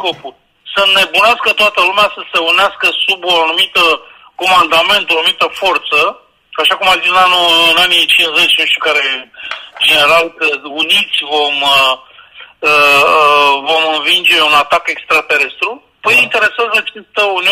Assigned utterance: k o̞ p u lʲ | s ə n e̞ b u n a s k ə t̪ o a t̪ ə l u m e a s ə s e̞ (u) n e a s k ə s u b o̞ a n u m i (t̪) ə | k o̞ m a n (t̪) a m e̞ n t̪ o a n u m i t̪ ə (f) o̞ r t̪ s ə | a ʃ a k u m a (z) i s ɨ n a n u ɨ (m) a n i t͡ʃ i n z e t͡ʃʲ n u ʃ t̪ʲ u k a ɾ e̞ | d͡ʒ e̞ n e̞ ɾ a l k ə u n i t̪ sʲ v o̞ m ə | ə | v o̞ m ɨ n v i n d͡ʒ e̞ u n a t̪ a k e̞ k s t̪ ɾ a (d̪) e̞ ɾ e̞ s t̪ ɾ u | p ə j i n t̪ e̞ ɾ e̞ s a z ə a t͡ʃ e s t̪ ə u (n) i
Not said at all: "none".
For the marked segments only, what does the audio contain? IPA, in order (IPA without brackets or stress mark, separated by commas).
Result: u, t̪, d̪, f, z, n, t̪, n